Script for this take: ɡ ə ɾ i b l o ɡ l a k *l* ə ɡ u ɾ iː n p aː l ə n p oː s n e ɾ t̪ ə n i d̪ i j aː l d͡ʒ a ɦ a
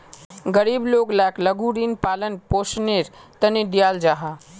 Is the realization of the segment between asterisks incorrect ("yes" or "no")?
no